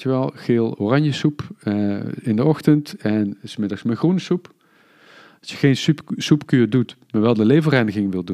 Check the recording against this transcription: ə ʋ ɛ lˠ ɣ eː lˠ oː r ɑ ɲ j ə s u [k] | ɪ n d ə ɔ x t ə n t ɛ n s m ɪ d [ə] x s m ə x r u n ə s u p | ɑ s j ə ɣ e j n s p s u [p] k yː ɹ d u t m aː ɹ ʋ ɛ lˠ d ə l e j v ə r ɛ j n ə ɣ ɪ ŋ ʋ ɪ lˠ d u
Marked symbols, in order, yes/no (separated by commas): no, no, yes